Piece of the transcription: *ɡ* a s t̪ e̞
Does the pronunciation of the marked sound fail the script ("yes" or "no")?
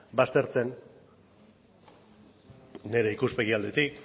yes